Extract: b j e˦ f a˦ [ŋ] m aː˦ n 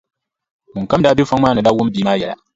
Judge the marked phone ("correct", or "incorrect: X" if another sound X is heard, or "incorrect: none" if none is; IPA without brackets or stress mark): correct